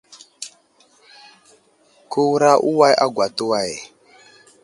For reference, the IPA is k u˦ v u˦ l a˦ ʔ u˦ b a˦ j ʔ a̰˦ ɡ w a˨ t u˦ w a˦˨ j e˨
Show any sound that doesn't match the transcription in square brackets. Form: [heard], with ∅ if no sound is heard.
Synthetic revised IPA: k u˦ [w] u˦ [ɾ] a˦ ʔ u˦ [w] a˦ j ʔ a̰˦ ɡ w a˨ t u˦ w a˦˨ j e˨